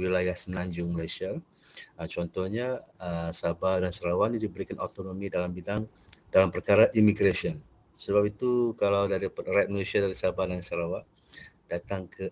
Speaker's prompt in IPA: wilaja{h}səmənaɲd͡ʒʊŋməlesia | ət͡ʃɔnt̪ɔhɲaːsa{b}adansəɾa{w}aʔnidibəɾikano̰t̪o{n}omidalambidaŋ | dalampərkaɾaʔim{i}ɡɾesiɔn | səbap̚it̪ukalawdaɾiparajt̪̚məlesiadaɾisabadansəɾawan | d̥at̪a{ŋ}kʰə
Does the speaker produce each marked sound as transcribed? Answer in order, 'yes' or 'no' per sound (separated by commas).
yes, yes, yes, yes, yes, yes